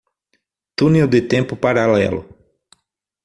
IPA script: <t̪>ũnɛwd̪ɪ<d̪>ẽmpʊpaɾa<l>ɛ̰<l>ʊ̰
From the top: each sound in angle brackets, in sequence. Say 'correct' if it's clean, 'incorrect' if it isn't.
correct, incorrect, correct, correct

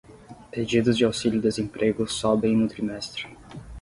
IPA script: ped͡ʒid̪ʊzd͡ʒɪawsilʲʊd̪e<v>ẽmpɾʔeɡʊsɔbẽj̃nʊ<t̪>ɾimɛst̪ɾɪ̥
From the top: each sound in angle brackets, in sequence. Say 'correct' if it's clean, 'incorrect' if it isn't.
incorrect, correct

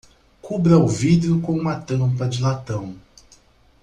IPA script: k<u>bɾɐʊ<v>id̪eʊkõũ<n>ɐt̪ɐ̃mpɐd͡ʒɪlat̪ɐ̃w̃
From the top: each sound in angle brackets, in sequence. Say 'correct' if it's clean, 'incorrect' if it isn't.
correct, correct, incorrect

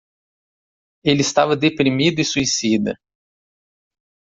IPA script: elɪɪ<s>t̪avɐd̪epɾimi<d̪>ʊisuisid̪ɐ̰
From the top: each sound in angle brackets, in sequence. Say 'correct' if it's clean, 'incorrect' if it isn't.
correct, correct

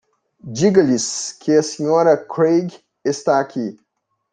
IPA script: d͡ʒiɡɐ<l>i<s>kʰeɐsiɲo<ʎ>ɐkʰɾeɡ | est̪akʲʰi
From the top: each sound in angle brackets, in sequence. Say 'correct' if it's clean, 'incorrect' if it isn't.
correct, correct, incorrect

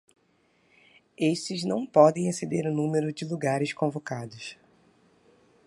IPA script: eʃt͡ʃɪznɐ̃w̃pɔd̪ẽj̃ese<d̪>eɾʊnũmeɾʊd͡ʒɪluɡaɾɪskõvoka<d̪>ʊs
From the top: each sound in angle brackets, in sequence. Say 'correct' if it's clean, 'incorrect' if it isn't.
correct, correct

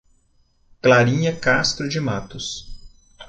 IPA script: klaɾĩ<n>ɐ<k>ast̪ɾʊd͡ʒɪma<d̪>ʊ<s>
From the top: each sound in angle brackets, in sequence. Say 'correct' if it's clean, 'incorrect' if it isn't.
incorrect, correct, incorrect, correct

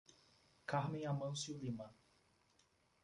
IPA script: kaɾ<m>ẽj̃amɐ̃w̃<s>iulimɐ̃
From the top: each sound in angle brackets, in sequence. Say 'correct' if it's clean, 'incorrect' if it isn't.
correct, correct

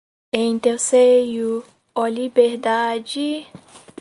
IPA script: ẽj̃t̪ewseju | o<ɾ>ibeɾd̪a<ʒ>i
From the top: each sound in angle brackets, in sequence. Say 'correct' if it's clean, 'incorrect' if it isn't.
incorrect, incorrect

